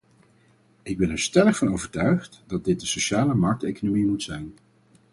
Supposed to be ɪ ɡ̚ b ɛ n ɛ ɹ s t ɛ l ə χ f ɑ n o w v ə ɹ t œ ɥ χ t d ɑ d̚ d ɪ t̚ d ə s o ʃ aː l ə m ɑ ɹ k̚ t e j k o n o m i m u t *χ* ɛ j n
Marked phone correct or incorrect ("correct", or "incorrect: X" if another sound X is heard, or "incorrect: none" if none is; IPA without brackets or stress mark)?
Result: incorrect: s